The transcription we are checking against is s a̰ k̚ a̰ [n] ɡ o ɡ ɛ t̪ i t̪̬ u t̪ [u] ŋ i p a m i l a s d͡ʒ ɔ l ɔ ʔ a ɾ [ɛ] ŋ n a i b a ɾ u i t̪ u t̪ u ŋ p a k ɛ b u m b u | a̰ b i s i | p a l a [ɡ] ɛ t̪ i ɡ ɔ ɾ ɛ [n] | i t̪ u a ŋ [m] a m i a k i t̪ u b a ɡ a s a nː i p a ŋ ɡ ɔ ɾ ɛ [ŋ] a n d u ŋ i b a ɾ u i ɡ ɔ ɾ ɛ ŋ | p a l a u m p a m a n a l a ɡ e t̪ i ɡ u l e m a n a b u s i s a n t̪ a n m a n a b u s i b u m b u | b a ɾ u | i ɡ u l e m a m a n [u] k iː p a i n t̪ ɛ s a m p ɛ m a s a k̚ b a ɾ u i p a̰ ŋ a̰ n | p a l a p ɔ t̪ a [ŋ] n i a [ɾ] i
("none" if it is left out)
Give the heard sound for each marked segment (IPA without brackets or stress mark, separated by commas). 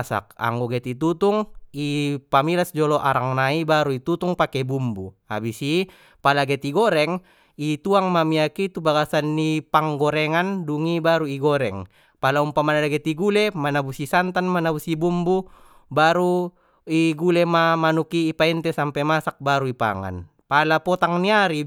ŋ, u, a, ɡ, ŋ, m, ŋ, u, ŋ, ɾ